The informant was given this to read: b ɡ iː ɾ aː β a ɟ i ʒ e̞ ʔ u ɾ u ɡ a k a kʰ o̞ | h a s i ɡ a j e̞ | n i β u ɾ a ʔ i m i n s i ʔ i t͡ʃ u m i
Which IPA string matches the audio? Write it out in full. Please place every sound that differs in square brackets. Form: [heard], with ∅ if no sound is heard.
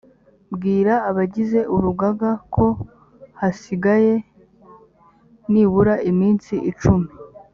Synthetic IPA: b ɡ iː ɾ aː β a ɟ i [z] e̞ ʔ u ɾ u ɡ a [ɡ] a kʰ o̞ | h a s i ɡ a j e̞ | n i β u ɾ a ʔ i m [iː] n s i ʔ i t͡ʃ u m i

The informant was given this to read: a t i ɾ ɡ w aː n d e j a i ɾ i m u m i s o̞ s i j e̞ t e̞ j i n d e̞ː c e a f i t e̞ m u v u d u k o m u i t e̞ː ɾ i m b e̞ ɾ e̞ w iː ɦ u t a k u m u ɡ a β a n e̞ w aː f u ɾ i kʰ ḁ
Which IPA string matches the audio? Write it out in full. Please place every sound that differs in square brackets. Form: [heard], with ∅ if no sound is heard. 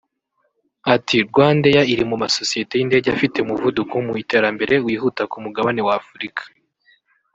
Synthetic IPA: a t i ɾ ɡ w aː n d e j a i ɾ i m u m [a] s o̞ s i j e̞ t e̞ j i n d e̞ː [ɟ] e a f i t e̞ m u v u d u k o m u i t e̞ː ɾ [a] m b e̞ ɾ e̞ w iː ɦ u t a k u m u ɡ a β a n e̞ w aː f u ɾ i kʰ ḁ

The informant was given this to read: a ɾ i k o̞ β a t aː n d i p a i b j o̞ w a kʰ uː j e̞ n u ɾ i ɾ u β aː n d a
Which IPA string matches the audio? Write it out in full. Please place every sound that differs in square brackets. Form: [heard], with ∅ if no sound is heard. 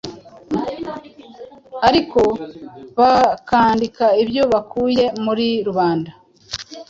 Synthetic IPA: a ɾ i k o̞ β a [k] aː n d i [k] a i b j o̞ [β] a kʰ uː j e̞ [m] u ɾ i ɾ u β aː n d a

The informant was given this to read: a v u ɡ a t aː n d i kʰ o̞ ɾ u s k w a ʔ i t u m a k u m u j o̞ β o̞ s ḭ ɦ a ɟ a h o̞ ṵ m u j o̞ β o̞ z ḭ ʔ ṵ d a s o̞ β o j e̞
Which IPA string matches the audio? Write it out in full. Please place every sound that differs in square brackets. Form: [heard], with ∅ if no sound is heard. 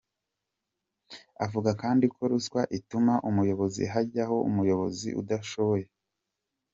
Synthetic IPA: a v u ɡ a [k] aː n d i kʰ o̞ ɾ u s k w a ʔ i t u m a [ʔ] u m u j o̞ β o̞ [z] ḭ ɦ a ɟ a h o̞ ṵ m u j o̞ β o̞ z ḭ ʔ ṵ d a [ʃ] o̞ β o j e̞

